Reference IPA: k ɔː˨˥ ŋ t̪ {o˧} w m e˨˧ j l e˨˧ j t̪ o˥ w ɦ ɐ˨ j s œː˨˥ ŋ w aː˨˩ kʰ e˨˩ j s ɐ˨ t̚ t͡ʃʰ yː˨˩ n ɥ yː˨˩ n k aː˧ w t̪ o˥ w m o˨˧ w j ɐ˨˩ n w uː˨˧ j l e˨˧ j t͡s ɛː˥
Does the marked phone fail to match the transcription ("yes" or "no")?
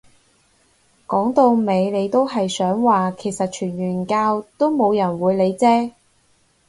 no